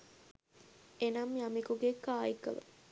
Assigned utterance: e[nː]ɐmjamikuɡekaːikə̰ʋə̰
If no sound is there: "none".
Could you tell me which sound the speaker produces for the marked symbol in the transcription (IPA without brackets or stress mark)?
n